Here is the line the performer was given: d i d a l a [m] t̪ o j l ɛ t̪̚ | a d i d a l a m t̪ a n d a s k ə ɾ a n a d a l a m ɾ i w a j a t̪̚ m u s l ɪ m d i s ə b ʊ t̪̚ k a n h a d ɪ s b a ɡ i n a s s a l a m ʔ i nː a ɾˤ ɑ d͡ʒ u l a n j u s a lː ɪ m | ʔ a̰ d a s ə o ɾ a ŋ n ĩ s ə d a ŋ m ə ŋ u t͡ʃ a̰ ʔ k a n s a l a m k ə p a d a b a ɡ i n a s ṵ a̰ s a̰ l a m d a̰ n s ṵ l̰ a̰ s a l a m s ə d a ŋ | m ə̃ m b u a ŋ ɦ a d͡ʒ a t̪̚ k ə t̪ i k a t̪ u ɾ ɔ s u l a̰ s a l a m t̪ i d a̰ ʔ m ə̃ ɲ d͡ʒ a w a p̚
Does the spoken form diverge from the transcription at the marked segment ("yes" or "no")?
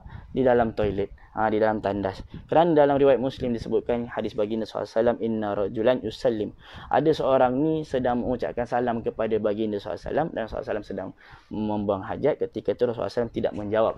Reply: no